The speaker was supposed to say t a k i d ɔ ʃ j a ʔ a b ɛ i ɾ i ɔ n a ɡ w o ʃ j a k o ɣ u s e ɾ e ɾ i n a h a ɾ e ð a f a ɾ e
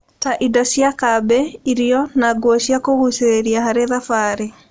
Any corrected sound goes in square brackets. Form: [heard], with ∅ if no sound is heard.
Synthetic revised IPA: t a [ʔ] i d ɔ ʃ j a [k] a b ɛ i ɾ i ɔ n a ɡ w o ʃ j a k o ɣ u s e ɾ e ɾ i [∅] a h a ɾ e ð a f a ɾ e